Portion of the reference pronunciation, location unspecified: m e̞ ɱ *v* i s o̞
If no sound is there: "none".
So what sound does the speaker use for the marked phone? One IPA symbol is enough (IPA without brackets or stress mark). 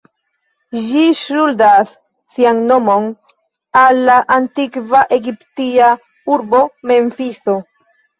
f